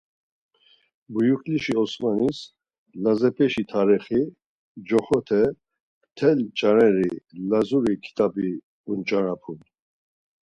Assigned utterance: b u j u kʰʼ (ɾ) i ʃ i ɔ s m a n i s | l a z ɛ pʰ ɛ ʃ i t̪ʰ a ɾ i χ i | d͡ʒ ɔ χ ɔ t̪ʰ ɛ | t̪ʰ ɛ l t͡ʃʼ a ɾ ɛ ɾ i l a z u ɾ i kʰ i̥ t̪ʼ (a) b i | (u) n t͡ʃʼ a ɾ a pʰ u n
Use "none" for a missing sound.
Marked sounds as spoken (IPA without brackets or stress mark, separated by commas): l, a, u